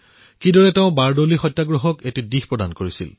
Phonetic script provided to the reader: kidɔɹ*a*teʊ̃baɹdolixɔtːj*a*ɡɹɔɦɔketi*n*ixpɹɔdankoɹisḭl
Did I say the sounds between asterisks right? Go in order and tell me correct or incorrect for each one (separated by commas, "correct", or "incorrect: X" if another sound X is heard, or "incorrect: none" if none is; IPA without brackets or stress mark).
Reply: incorrect: ɛ, correct, incorrect: d